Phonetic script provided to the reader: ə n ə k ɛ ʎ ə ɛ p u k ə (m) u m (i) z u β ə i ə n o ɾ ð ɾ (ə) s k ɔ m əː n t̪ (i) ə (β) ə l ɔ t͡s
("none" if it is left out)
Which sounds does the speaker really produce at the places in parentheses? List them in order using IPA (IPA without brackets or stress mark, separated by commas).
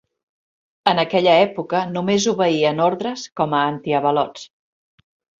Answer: n, e, ə, i, β